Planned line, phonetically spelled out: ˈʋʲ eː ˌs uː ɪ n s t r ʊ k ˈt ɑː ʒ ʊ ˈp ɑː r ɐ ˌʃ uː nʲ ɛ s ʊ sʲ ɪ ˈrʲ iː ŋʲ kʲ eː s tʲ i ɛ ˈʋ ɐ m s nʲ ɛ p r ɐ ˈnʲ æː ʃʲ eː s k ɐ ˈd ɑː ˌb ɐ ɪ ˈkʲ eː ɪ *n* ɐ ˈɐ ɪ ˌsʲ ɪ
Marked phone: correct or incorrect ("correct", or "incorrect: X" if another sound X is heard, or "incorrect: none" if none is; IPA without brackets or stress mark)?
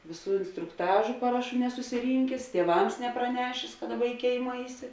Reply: incorrect: m